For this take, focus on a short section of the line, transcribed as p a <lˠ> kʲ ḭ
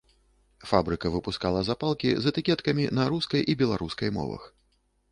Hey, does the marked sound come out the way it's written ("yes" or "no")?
yes